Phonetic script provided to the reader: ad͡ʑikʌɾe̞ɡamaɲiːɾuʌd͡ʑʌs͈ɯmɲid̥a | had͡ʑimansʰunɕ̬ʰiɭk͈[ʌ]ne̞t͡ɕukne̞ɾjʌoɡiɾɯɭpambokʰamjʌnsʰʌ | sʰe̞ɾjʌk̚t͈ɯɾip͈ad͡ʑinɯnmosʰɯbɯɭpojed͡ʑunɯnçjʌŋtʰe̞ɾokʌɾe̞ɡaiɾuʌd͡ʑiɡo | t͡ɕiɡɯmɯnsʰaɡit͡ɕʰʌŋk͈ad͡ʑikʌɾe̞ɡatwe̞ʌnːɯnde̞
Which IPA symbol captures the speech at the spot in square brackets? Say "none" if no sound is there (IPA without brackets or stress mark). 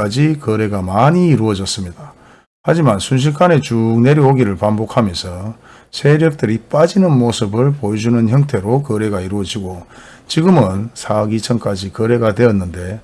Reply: a